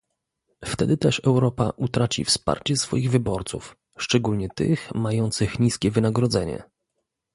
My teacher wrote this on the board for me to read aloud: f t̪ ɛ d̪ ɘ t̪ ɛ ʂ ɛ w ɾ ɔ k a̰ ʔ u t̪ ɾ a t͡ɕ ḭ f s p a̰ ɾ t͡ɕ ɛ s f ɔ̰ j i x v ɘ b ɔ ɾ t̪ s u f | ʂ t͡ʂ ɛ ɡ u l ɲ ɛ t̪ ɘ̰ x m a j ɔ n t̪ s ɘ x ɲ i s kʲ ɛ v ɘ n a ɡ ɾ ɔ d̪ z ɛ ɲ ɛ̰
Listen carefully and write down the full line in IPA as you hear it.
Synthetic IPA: f t̪ ɛ d̪ ɘ t̪ ɛ ʂ ɛ w ɾ ɔ p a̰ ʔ u t̪ ɾ a t͡ɕ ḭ f s p a̰ ɾ t͡ɕ ɛ s f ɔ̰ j i ɣ v ɘ b ɔ ɾ t̪ s u f | ʂ t͡ʂ ɛ ɡ u l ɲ ɛ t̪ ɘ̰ x m a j ɔ n t̪ s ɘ x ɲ i s kʲ ɛ v ɘ n a ɡ ɾ ɔ d̪ z ɛ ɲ ɛ̰